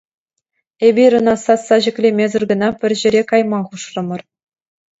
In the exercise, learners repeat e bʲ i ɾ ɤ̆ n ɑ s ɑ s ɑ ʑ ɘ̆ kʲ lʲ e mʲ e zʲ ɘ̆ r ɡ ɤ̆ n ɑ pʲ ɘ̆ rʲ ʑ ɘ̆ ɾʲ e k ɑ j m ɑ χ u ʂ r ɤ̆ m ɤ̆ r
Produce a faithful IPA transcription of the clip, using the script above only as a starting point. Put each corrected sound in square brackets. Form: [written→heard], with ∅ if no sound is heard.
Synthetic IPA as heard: e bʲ i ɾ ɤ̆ n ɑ s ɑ s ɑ ʑ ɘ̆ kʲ lʲ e mʲ e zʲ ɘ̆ r ɡ ɤ̆ n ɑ pʲ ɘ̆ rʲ ʑ ɘ̆ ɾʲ e k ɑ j m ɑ χ u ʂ r ɤ̆ m ɤ̆ r